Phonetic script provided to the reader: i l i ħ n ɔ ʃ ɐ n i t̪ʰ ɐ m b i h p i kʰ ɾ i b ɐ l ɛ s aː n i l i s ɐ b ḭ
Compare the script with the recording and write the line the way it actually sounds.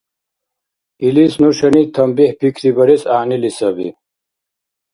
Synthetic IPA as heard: i l i s n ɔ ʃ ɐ n i t̪ʰ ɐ m b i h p i kʰ ɾ i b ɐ ɾ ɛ s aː n i l i s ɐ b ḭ